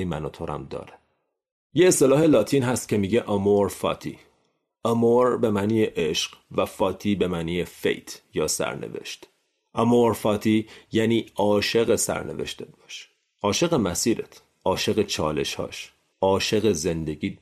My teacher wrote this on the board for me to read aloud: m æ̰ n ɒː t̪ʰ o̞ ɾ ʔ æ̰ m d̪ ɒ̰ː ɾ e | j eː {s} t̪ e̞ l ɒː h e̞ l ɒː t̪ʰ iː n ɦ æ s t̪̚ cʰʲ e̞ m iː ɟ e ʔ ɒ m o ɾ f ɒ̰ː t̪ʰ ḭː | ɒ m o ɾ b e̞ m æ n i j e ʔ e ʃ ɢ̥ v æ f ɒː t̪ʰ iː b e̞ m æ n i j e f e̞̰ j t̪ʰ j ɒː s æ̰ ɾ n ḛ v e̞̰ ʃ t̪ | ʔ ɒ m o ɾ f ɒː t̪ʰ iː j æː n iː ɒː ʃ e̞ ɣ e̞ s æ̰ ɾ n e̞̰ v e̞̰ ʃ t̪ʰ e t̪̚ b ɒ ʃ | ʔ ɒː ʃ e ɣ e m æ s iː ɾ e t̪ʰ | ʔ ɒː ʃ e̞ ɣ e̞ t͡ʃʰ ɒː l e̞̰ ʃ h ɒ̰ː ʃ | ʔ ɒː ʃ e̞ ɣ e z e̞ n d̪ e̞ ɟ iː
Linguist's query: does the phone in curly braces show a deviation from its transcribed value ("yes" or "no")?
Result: no